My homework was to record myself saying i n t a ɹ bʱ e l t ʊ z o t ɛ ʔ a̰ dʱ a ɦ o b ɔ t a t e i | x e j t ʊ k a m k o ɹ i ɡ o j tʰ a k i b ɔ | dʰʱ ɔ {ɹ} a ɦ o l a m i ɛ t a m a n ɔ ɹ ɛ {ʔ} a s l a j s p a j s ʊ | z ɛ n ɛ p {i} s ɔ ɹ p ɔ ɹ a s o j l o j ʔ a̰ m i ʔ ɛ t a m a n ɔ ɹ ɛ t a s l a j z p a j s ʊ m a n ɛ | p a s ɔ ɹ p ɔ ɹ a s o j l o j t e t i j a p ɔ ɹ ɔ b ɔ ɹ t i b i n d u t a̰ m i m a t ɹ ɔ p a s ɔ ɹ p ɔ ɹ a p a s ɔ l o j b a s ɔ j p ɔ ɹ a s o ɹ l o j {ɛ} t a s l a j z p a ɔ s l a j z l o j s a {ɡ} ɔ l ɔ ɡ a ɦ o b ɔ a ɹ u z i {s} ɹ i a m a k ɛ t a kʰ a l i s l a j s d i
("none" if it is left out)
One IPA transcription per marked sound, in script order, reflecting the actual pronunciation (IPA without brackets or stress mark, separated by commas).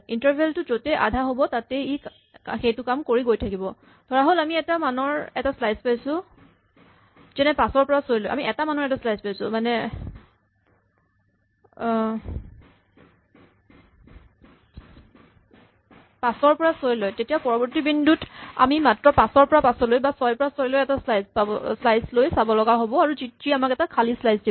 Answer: ɹ, t, a, ɛ, b, t